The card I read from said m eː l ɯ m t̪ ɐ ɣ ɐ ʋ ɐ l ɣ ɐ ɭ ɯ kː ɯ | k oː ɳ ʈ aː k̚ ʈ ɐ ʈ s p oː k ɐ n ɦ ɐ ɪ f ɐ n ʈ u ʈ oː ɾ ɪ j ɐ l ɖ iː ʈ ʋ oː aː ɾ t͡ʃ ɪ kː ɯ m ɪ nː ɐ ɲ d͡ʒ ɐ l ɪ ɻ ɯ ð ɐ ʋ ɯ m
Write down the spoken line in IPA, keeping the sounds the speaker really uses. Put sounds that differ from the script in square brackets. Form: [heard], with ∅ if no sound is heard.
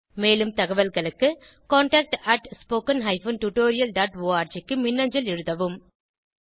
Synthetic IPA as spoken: m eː l ɯ m t̪ ɐ ɣ ɐ ʋ ɐ l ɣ ɐ ɭ ɯ kː ɯ | k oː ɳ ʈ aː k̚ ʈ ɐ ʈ s p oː k ɐ n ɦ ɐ ɪ f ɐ n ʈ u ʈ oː ɾ ɪ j ɐ l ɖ [aː] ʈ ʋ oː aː ɾ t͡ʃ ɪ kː ɯ m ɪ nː ɐ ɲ d͡ʒ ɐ l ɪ ɻ ɯ ð ɐ ʋ ɯ m